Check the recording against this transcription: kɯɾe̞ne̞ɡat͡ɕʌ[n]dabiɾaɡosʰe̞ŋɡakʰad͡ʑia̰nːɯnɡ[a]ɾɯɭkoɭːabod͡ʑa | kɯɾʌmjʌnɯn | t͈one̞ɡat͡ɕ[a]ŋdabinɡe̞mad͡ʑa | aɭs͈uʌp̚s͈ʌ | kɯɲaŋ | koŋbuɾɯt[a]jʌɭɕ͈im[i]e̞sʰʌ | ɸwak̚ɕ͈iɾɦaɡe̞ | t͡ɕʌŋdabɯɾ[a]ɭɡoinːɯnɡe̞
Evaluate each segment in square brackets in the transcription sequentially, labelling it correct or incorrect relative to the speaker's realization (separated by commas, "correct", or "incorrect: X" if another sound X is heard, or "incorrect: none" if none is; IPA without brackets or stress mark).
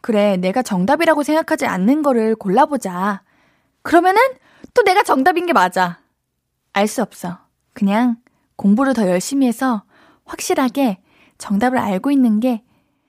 incorrect: ŋ, incorrect: ʌ, incorrect: ʌ, incorrect: ʌ, correct, correct